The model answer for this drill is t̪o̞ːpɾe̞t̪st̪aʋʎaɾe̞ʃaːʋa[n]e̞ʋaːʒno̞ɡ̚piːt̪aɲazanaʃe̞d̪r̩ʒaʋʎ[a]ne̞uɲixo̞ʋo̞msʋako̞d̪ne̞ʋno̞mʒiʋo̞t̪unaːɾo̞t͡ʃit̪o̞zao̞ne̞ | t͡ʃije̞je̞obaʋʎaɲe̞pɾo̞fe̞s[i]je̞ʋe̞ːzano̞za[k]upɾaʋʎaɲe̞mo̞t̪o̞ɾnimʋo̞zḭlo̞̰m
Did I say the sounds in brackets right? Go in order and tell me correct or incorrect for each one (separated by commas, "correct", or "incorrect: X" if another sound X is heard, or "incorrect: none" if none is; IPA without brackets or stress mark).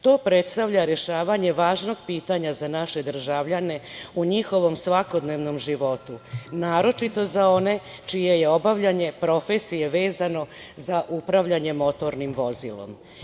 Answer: incorrect: ɲ, correct, correct, incorrect: ʔ